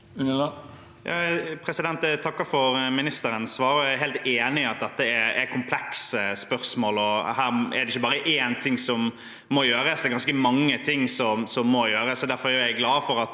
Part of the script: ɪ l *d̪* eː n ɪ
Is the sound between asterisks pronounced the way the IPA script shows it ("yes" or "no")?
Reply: no